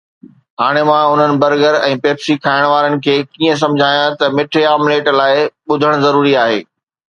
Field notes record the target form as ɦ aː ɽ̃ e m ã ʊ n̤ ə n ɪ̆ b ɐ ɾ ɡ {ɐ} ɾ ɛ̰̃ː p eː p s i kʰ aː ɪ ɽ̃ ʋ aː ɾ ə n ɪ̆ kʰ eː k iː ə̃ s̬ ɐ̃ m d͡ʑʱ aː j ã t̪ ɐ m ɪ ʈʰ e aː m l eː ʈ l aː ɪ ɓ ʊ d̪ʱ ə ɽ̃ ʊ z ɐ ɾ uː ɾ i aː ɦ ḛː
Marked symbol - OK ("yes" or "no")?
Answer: no